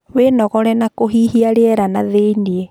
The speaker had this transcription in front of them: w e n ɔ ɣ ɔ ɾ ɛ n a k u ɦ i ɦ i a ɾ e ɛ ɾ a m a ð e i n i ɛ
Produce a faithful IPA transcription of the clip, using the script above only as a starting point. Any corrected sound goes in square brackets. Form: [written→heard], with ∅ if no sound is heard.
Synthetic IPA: w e n ɔ ɣ ɔ ɾ ɛ n a k [u→o] ɦ i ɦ i a ɾ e ɛ ɾ a [m→n] a ð e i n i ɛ